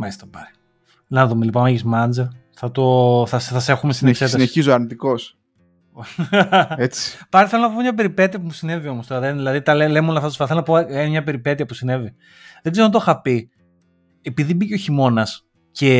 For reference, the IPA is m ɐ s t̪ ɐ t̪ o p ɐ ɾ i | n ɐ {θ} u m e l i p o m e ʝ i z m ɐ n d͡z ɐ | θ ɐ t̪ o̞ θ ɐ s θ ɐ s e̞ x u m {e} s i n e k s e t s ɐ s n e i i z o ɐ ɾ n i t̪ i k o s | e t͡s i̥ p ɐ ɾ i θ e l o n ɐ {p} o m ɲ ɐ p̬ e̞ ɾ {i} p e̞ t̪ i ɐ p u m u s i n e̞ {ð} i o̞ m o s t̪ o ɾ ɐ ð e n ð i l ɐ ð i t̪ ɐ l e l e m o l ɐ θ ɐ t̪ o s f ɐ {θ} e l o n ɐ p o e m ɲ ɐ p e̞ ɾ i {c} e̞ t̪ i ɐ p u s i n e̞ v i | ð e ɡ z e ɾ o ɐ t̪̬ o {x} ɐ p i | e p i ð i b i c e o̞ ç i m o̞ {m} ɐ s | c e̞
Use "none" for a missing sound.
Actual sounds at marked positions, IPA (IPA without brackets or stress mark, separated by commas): ð, e, p, i, v, θ, p, x, n